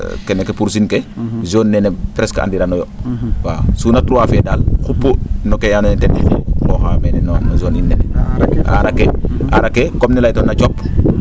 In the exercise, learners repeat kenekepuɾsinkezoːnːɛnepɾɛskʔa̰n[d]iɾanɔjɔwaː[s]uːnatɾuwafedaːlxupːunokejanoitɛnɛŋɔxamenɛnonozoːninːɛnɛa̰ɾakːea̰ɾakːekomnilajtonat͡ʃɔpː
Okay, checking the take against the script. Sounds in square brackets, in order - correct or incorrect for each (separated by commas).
correct, correct